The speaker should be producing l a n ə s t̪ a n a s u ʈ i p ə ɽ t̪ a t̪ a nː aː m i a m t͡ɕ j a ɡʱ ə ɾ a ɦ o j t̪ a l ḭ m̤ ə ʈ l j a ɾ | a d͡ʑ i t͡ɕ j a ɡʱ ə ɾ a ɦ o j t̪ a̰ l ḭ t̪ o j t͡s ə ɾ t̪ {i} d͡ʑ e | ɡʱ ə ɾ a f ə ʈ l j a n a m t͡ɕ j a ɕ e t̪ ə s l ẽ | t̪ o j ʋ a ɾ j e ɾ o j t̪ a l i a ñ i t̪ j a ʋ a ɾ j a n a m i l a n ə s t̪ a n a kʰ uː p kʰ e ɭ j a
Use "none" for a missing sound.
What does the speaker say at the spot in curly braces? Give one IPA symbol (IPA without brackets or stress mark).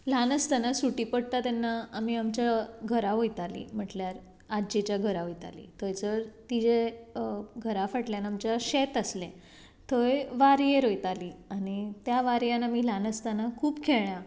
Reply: i